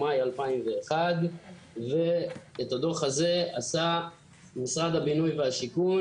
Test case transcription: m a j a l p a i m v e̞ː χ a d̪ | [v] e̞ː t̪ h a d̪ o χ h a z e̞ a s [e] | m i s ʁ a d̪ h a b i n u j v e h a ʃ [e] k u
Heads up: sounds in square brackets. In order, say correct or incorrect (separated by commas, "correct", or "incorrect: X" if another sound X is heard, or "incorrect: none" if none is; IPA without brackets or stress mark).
correct, incorrect: a, incorrect: i